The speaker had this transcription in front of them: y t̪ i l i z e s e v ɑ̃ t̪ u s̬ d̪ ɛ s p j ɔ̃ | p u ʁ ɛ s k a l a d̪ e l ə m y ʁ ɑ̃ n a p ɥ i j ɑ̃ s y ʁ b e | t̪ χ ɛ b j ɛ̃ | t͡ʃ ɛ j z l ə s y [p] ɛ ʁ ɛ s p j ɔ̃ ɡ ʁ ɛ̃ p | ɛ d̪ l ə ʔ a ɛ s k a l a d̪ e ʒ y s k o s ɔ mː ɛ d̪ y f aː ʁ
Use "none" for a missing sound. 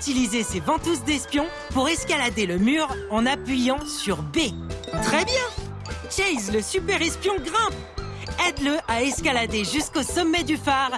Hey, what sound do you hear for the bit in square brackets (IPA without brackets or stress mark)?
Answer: p